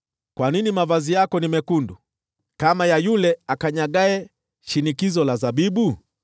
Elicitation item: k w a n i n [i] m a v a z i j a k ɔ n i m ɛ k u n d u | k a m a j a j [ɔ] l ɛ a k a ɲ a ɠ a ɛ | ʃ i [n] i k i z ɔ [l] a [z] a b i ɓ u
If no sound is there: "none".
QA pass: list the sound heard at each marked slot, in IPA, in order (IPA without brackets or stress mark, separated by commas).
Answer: i, u, n, l, z